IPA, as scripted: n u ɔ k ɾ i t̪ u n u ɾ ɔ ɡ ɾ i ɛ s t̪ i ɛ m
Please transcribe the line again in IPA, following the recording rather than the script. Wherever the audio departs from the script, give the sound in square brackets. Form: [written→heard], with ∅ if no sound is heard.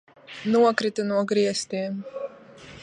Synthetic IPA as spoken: n u ɔ k ɾ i t̪ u n u [ɾ→∅] ɔ ɡ ɾ i ɛ s t̪ i ɛ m